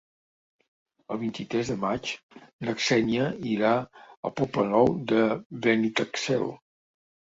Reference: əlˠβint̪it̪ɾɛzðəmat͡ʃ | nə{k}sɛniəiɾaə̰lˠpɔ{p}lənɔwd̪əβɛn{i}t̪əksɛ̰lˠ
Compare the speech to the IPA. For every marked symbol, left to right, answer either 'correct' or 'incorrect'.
correct, correct, correct

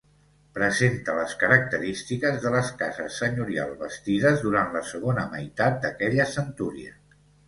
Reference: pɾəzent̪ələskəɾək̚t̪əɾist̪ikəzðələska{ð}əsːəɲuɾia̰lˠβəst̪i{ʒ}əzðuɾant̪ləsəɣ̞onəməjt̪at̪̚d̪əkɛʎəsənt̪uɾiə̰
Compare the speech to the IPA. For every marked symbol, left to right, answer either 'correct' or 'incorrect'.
incorrect, incorrect

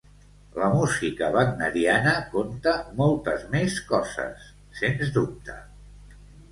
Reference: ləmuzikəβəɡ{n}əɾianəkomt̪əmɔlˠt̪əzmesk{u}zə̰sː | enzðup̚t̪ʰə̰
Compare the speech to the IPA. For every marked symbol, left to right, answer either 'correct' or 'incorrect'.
correct, incorrect

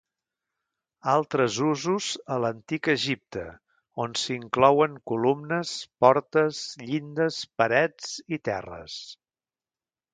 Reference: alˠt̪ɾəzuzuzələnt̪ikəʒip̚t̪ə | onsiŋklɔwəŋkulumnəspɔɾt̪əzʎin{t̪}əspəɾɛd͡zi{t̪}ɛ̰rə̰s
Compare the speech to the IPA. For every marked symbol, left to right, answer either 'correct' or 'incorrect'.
incorrect, correct

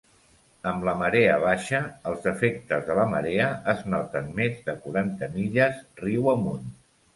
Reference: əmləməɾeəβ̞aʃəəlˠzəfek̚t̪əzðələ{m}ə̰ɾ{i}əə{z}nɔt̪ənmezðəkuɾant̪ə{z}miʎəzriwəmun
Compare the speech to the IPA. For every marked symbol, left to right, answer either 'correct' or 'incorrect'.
correct, incorrect, correct, incorrect

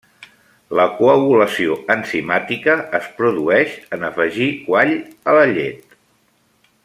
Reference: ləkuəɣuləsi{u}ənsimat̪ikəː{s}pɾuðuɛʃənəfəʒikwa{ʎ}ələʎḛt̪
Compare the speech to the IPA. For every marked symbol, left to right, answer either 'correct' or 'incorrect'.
incorrect, correct, correct

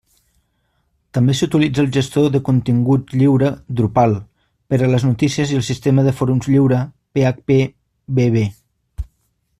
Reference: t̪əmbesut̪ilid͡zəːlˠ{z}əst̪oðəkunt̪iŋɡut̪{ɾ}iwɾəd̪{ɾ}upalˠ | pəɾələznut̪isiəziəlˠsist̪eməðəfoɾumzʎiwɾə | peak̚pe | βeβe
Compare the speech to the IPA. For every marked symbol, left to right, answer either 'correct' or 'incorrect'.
incorrect, incorrect, correct

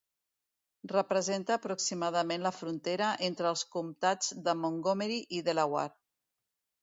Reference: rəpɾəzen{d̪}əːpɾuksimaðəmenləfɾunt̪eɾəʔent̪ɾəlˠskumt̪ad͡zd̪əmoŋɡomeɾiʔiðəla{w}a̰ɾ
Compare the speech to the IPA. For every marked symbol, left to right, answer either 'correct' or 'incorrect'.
incorrect, correct

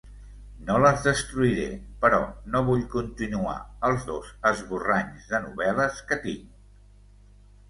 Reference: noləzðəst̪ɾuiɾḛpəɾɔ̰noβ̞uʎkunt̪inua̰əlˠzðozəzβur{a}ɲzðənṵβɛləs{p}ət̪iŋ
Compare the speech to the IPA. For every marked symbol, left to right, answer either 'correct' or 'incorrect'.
correct, incorrect

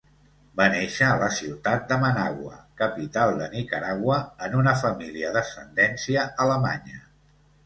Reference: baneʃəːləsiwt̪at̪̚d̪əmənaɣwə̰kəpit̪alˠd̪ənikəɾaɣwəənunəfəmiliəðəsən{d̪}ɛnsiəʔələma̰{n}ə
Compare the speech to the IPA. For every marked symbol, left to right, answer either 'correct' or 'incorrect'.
correct, incorrect

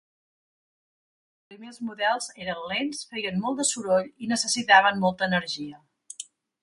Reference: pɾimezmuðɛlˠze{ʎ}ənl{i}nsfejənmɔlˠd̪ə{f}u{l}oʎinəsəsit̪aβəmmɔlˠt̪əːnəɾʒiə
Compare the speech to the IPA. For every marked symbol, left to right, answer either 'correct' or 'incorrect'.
incorrect, incorrect, incorrect, incorrect

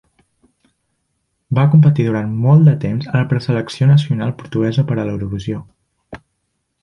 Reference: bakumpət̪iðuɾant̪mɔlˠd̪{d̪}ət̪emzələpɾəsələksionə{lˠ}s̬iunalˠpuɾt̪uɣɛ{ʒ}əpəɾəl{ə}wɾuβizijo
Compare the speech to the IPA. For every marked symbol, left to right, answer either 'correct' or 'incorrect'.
correct, incorrect, incorrect, correct

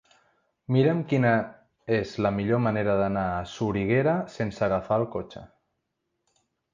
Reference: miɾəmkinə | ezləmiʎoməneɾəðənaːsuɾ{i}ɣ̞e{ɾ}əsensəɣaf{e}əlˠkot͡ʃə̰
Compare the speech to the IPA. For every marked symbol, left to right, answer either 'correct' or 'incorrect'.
correct, correct, incorrect

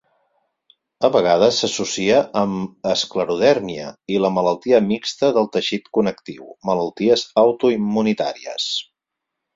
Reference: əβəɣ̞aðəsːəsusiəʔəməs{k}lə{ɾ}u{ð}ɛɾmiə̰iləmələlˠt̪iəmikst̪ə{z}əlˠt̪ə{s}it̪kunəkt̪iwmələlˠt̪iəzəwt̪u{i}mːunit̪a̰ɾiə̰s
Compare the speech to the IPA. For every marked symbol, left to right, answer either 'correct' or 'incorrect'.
correct, correct, correct, incorrect, incorrect, correct

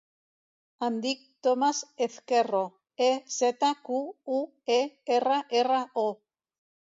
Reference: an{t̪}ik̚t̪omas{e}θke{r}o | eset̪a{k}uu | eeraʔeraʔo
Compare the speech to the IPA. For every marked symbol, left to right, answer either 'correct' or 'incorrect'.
incorrect, correct, correct, correct

